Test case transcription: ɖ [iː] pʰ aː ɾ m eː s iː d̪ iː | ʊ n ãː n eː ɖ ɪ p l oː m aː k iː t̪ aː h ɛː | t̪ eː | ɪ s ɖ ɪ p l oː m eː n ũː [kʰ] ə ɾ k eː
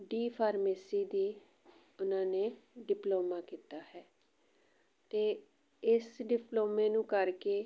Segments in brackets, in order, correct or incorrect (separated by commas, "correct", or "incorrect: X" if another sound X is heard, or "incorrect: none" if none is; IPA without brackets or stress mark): correct, incorrect: k